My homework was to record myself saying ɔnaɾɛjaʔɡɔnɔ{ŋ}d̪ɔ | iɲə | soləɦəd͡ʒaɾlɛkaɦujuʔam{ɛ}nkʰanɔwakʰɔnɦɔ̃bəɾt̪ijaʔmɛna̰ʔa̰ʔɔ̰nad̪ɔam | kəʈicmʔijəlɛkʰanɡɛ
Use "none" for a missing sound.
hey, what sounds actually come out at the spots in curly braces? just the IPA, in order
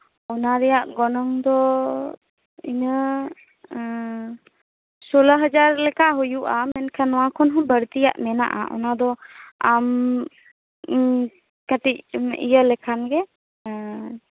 ŋ, ɛ

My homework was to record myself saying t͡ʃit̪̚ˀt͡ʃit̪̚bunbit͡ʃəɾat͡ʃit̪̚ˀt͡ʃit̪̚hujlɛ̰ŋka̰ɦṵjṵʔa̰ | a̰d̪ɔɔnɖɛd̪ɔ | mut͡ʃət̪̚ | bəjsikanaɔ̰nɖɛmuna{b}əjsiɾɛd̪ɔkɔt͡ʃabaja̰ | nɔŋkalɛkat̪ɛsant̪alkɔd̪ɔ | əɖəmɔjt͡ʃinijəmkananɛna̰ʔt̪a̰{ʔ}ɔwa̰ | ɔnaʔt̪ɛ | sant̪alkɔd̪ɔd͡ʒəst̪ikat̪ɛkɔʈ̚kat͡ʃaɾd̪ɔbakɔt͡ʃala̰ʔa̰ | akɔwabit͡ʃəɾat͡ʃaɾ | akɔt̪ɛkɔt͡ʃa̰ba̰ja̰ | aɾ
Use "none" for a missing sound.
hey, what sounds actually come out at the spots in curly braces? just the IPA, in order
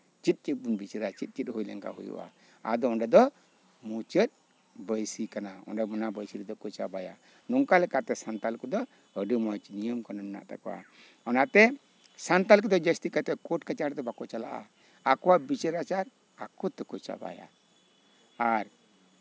b, k

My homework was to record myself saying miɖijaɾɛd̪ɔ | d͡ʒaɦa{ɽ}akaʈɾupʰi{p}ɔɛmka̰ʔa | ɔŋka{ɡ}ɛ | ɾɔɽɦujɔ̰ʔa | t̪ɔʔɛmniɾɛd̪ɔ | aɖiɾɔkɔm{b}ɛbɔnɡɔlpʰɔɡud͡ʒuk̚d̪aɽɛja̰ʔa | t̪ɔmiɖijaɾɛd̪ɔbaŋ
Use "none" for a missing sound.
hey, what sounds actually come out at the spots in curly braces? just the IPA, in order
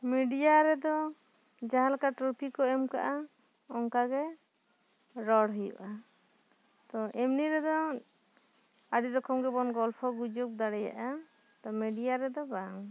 l, k, ɡ, ɡ

